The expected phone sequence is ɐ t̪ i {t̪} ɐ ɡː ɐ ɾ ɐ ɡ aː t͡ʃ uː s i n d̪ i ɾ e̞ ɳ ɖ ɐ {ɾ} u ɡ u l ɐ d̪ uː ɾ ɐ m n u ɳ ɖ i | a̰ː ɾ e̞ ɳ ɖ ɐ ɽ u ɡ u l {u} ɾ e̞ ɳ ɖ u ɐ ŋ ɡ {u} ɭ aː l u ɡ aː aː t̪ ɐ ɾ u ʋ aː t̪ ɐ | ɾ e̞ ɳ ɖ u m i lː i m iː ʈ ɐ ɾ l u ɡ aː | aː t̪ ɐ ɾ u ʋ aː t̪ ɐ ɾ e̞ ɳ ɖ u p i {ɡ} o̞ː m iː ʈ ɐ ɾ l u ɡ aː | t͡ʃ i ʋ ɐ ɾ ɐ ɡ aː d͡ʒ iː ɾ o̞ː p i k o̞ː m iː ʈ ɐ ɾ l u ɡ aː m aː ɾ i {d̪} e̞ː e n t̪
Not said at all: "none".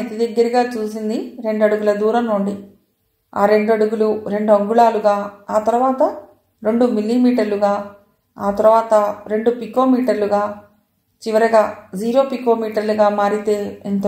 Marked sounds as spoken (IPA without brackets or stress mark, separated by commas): d̪, ɽ, u, u, k, t̪